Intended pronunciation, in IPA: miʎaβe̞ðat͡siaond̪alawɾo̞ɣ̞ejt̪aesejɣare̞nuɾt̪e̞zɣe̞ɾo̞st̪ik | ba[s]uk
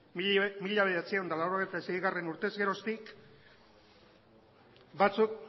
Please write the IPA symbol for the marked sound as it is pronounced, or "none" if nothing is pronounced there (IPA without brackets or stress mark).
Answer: t͡s